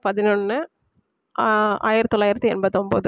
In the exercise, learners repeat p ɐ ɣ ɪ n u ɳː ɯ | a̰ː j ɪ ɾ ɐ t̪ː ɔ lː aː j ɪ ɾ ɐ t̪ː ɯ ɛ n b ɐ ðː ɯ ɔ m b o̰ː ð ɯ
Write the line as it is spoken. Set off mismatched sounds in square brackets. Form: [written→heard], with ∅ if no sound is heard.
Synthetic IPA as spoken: p ɐ [ɣ→ð] ɪ n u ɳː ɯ | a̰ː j ɪ ɾ ɐ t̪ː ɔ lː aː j ɪ ɾ ɐ t̪ː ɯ ɛ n b ɐ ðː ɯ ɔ m b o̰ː ð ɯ